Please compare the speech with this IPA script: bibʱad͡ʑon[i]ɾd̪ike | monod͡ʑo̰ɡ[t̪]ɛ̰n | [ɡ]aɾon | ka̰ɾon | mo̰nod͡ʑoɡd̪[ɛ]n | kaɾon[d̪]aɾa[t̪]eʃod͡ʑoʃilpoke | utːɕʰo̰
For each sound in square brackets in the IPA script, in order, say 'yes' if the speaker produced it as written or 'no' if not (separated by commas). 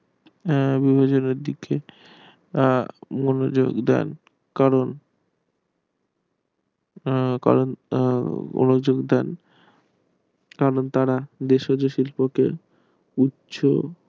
no, no, no, yes, no, no